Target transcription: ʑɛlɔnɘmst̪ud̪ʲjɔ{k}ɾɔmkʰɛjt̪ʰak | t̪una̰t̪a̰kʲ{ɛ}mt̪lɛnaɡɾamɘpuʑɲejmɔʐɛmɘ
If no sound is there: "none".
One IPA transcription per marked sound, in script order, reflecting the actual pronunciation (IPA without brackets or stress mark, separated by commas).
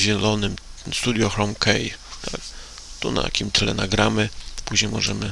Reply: x, i